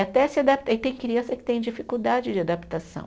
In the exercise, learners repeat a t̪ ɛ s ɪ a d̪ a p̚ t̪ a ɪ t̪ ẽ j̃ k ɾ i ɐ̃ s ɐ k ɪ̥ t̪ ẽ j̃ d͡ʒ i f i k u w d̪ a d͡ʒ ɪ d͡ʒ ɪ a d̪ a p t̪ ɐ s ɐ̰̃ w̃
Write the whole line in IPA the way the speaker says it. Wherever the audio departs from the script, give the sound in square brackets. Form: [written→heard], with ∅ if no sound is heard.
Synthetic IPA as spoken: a t̪ ɛ s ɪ a d̪ a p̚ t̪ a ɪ t̪ ẽ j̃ k ɾ i ɐ̃ s ɐ k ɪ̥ t̪ ẽ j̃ d͡ʒ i f i k u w d̪ a d͡ʒ ɪ d͡ʒ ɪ a d̪ a p t̪ [ɐ→a] s ɐ̰̃ w̃